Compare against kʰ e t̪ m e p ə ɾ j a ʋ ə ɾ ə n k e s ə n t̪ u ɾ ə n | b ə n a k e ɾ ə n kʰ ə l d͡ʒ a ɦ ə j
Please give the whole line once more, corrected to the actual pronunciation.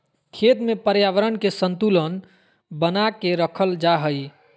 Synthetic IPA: kʰ e t̪ m e p ə ɾ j a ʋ ə ɾ ə n k e s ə n t̪ u l ə n | b ə n a k e ɾ ə kʰ ə l d͡ʒ a ɦ ə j